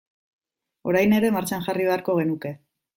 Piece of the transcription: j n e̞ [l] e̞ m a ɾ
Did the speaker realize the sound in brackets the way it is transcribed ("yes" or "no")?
no